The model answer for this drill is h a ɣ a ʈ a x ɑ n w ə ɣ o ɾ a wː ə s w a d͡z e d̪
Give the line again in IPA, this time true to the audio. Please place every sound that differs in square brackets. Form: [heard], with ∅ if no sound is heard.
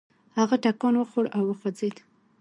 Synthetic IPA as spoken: h a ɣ a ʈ a [k] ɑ n w ə [x] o [ɽ] a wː ə [x] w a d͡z e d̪

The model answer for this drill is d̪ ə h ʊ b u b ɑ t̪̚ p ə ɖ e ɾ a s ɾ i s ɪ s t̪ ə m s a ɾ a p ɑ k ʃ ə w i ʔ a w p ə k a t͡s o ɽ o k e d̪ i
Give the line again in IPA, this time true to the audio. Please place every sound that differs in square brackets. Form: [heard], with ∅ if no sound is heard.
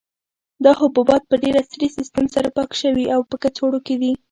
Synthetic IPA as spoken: d̪ [ɑ] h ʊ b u b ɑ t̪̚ p ə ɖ e ɾ a s ɾ i s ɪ s t̪ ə m s a ɾ a p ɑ k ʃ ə w i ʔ a w p ə k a t͡s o ɽ o k e d̪ i

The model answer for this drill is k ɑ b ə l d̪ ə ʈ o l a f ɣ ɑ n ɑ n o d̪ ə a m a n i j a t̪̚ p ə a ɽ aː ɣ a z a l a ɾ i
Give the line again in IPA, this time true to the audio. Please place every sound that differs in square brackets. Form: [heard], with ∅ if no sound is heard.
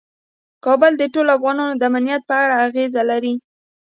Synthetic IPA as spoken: k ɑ b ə l d̪ ə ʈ o l a f ɣ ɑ n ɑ n o d̪ ə a m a n i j a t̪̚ p ə a ɽ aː ɣ [e] z a l a ɾ i

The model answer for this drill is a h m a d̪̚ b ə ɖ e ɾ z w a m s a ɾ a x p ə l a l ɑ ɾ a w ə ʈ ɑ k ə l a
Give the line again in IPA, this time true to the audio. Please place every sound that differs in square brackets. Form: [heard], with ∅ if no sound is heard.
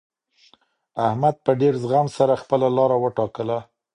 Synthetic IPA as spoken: a h m a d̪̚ [p] ə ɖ e ɾ z [ɣ] a m s a ɾ a x p ə l a l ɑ ɾ a w ə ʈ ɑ k ə l a

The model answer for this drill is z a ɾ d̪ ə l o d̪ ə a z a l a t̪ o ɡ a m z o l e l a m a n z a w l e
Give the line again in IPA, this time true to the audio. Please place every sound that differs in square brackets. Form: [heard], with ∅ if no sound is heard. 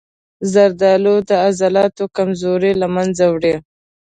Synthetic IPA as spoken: z a ɾ d̪ [ɑ] l o d̪ ə a z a l [ɑ] t̪ o [k] a m z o [ɾ] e l a m a n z a w [ɽ] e

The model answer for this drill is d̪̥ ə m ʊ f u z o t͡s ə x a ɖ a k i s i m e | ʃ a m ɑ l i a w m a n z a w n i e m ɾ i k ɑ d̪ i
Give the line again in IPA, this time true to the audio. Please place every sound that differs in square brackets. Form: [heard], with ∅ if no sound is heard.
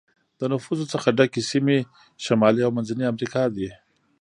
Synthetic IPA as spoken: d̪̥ ə [n] ʊ f u z o t͡s ə x a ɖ a k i s i m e | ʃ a m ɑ l i a w m a n z a [∅] n i [a] m ɾ i k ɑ d̪ i

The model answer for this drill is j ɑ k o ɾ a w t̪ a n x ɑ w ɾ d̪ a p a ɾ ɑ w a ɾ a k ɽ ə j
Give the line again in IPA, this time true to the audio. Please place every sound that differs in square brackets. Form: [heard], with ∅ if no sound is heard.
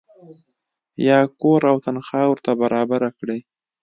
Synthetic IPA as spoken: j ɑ k o ɾ a w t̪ a n x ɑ w ɾ [t̪] a [b] a ɾ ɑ [b] a ɾ a k ɽ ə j

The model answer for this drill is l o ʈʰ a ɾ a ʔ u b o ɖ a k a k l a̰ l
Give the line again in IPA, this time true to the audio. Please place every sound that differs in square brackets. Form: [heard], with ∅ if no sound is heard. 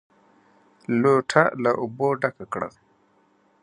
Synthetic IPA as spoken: l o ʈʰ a [l] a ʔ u b o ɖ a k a k [ɽ] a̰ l

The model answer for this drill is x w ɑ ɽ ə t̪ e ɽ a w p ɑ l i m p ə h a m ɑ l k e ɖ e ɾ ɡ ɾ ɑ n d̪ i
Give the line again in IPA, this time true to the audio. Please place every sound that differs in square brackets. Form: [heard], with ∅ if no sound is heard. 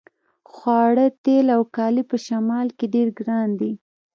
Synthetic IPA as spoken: x w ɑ ɽ ə t̪ e [l] a w [k] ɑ l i [∅] p ə [ʃ] a m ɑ l k e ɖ e ɾ ɡ ɾ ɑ n d̪ i

